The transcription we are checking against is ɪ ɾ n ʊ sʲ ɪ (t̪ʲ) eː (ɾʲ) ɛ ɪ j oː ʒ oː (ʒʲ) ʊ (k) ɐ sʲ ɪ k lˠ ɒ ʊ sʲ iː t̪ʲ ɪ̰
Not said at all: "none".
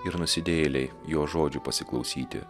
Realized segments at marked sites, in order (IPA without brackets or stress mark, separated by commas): d̪ʲ, lʲ, d͡ʒʲ, p